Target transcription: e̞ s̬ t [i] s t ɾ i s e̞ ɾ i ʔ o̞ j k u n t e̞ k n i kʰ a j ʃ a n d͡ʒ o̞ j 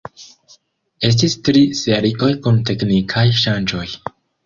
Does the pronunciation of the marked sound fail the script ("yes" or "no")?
no